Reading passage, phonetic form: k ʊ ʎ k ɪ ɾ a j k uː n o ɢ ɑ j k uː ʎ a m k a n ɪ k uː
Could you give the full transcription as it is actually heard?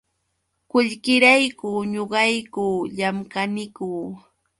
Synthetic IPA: k ʊ ʎ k ɪ ɾ a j k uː ɲ o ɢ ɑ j k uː ʎ a m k a n ɪ k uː